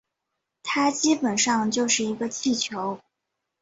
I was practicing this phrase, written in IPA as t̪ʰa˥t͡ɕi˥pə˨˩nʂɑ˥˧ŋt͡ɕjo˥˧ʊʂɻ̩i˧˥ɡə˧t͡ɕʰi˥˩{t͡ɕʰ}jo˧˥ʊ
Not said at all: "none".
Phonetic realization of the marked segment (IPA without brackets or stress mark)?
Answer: t͡ɕʰ